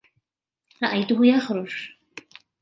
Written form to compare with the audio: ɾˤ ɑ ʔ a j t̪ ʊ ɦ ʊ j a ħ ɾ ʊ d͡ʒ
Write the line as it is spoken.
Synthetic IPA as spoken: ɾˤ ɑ ʔ a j t̪ ʊ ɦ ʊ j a x ɾ ʊ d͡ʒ